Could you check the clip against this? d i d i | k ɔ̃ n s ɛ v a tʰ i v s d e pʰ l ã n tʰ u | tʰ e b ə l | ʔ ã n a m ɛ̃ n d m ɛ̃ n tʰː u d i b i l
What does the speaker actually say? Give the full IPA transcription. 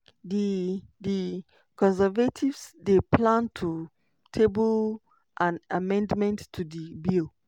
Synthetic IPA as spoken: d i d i | k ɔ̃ n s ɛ v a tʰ i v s d e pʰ l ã n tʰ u | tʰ e b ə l | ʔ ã n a m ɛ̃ n d m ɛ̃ n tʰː u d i b i l

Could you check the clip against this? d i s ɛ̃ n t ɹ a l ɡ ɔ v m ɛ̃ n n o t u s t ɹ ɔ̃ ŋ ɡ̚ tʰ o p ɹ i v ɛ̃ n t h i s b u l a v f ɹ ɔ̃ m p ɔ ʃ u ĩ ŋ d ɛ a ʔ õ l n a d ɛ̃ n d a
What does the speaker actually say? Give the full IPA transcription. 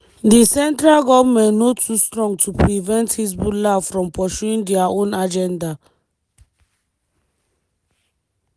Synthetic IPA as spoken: d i s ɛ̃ n t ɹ a l ɡ ɔ v m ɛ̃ n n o t u s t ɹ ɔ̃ ŋ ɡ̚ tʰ u p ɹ i v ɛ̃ n t h i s b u l a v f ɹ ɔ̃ m p ɔ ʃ u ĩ ŋ d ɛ a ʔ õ n a d͡ʒ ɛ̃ n d a

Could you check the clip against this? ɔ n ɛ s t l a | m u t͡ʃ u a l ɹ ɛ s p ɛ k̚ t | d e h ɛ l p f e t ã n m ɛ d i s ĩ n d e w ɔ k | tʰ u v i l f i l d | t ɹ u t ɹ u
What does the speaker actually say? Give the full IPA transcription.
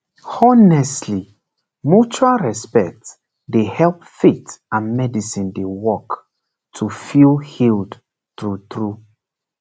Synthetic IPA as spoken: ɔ n ɛ s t l i | m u t͡ʃ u a l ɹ ɛ s p ɛ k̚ t | d e h ɛ l p f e t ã n m ɛ d i s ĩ n d e w ɔ k | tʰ u f i l h i l d | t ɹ u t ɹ u

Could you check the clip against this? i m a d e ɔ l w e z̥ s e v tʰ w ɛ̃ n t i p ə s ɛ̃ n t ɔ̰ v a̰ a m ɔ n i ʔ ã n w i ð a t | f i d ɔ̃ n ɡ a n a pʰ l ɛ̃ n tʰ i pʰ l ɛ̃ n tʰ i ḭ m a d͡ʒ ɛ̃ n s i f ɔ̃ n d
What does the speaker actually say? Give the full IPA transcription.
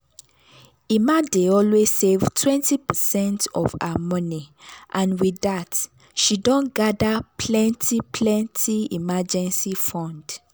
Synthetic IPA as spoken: i m a d e ɔ l w e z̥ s e v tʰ w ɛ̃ n t i p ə s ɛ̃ n t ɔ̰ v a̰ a m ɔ n i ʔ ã n w i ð a t | ʃ i d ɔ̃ n ɡ a d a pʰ l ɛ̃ n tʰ i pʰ l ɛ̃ n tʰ i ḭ m a d͡ʒ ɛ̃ n s i f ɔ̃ n d

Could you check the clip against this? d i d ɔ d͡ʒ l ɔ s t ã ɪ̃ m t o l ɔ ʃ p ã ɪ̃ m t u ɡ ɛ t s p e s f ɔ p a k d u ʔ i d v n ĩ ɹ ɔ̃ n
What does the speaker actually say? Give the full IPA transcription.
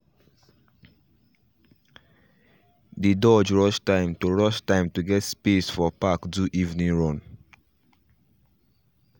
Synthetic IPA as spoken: d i d ɔ d͡ʒ ɹ ɔ ʃ t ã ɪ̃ m t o ɹ ɔ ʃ t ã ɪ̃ m t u ɡ ɛ t s p e s f ɔ p a k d u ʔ i v n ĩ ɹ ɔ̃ n

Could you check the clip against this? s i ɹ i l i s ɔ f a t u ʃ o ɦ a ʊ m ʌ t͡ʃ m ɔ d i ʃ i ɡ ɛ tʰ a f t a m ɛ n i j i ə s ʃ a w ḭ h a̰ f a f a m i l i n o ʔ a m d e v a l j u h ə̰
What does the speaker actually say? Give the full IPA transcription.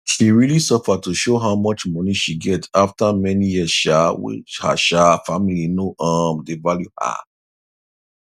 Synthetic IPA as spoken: ʃ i ɹ i l i s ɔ f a t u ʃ o ɦ a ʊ m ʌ t͡ʃ m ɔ n i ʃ i ɡ ɛ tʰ a f t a m ɛ n i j i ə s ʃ a w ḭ h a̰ ʃ a f a m i l i n o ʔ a m d e v a l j u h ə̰

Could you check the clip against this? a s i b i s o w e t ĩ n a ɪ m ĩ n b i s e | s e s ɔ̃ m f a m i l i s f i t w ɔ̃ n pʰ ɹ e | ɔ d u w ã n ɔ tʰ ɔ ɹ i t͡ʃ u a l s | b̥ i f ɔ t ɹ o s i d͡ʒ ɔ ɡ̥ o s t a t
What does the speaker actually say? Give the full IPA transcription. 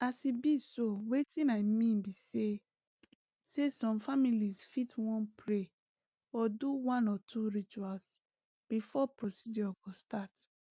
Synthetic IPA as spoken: a s i b i s o w e t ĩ n a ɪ m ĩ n b i s e | s e s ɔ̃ m f a m i l i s f i t w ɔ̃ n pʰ ɹ e | ɔ d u w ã n ɔ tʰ u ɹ i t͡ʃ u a l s | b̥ i f ɔ p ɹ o s i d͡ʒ ɔ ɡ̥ o s t a t

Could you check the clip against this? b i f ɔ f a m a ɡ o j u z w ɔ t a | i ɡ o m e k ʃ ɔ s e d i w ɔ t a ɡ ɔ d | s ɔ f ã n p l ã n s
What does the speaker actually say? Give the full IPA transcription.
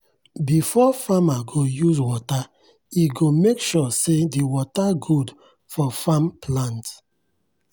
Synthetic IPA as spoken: b i f ɔ f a m a ɡ o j u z w ɔ t a | i ɡ o m e k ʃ ɔ s e d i w ɔ t a ɡ u d | f ɔ f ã m p l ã n t

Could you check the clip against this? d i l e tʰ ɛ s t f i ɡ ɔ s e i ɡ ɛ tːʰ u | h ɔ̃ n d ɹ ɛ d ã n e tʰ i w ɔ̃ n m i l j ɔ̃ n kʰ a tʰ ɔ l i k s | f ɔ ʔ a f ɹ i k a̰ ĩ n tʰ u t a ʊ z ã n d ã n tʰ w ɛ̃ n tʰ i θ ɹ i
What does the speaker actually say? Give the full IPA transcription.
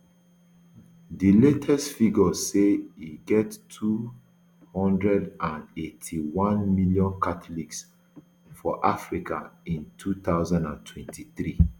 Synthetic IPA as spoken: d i l e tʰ ɛ s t f i ɡ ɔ s e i ɡ ɛ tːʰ u | h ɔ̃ n d ɹ ɛ d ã n e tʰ i w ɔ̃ n m i l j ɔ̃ n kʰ a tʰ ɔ l i k s | f ɔ ʔ a f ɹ i k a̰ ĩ n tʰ u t a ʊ z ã n d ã n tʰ w ɛ̃ n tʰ i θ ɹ i

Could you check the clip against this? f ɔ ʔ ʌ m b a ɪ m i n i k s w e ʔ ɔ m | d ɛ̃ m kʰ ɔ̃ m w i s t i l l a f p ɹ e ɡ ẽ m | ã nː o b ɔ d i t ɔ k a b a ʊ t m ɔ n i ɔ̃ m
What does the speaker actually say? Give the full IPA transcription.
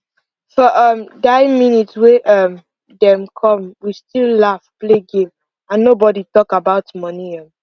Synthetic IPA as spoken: f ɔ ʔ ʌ m d a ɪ m i n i t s w e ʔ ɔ m | d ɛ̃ m kʰ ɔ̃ m w i s t i l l a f p l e ɡ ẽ m | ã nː o b ɔ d i t ɔ k a b a ʊ t m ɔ n i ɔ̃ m

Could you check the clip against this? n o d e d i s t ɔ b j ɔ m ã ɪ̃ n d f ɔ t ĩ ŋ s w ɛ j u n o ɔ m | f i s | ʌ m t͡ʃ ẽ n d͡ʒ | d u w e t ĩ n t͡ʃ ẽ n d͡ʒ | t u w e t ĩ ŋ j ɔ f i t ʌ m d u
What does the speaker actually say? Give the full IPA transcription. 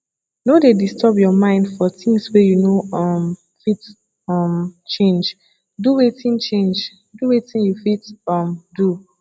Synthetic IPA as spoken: n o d e d i s t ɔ b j ɔ m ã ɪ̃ n d f ɔ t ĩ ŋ s w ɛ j u n o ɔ m | f i t | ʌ m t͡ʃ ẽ n d͡ʒ | d u w e t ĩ n t͡ʃ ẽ n d͡ʒ | d u w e t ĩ n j u f i t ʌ m d u

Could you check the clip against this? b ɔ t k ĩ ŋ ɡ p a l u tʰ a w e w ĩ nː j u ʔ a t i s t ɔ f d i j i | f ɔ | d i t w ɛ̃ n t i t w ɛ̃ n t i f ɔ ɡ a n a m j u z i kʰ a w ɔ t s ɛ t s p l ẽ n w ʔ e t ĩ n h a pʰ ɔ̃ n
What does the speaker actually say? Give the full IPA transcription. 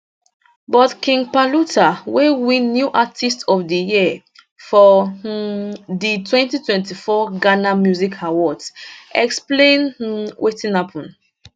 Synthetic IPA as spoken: b ɔ t k ĩ ŋ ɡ p a l u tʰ a w e w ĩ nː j u ʔ a t i s t ɔ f d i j i | f ɔ | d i t w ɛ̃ n t i t w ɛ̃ n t i f ɔ ɡ a n a m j u z i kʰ a w ɔ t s ɛ k s p l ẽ n w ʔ e t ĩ n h a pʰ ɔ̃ n

